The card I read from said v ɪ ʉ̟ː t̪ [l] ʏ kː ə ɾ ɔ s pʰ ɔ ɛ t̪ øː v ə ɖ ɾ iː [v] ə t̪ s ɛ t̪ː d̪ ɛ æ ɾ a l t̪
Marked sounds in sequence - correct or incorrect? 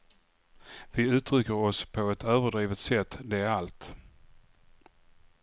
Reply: incorrect: ɾ, correct

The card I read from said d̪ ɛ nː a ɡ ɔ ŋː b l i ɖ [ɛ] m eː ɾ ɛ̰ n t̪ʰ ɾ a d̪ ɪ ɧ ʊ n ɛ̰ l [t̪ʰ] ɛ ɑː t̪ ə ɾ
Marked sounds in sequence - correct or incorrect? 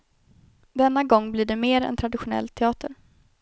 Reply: correct, correct

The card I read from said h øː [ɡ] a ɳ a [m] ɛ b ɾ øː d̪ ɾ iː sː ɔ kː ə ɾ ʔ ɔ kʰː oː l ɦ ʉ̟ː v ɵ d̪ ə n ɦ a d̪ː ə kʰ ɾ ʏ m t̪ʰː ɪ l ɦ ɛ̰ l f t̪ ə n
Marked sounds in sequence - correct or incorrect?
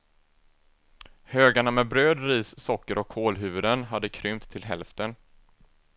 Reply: correct, correct

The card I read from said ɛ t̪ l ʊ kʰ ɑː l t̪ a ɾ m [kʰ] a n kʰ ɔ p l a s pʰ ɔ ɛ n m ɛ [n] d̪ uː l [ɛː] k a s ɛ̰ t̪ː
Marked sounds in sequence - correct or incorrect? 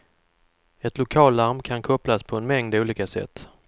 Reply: correct, incorrect: ŋ, incorrect: iː

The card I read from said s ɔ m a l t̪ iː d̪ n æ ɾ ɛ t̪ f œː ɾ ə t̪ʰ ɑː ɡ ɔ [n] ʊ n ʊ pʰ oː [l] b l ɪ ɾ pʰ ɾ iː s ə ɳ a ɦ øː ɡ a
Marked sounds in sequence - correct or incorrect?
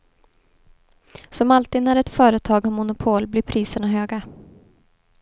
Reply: incorrect: m, correct

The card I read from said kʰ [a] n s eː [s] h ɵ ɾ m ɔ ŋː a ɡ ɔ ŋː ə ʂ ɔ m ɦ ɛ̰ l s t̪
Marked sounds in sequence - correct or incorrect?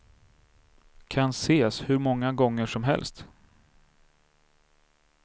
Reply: correct, correct

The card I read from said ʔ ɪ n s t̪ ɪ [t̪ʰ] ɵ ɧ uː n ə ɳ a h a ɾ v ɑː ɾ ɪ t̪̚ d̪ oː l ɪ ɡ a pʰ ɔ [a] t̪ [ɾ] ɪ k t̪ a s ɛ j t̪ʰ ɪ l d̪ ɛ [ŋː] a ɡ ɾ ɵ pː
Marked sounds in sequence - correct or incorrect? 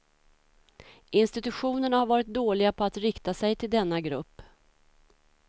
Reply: incorrect: t̪, correct, correct, incorrect: nː

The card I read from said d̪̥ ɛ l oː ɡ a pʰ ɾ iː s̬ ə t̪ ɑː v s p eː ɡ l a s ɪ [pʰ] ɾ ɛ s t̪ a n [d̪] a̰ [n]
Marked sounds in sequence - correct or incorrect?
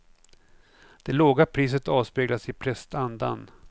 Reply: correct, correct, correct

